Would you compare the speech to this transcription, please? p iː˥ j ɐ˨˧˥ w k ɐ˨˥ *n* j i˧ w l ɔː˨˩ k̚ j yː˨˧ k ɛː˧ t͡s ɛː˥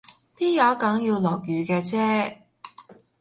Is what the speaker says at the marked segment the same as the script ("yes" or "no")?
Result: no